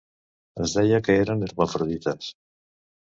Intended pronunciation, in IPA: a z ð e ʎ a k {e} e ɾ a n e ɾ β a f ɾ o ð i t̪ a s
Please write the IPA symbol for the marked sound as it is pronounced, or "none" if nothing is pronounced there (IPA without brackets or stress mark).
e